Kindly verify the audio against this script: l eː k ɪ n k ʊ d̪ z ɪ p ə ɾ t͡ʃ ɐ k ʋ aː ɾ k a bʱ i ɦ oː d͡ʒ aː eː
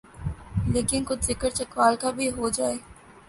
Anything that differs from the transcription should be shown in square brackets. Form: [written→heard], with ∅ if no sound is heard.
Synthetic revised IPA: l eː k ɪ n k ʊ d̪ z ɪ [p→k] ə ɾ t͡ʃ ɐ k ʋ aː [ɾ→l] k a bʱ i ɦ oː d͡ʒ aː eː